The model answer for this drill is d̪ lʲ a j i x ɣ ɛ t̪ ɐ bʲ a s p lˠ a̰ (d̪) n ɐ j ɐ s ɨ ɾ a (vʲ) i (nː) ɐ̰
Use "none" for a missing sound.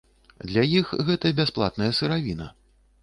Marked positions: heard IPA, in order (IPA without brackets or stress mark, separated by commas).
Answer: t̪, vʲ, n